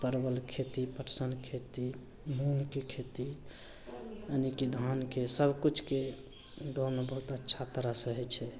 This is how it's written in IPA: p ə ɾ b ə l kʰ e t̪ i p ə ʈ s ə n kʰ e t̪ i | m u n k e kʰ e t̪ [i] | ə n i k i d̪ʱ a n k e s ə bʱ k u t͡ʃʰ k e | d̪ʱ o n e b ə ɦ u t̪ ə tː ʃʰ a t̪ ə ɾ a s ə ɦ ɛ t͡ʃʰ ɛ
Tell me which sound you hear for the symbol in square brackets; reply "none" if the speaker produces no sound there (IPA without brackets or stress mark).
i